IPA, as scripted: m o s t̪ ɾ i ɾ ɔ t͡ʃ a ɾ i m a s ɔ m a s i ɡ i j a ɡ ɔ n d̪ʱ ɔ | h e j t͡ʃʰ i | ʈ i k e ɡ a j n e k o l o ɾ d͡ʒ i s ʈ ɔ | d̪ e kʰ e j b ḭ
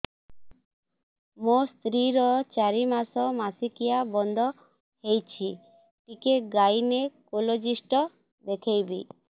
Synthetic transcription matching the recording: m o s t̪ ɾ i ɾ ɔ t͡ʃ a ɾ i m a s ɔ m a s i k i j a b ɔ n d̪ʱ ɔ | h e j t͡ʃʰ i | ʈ i k e ɡ a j n e k o l o d͡ʒ i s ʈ ɔ | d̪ e kʰ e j b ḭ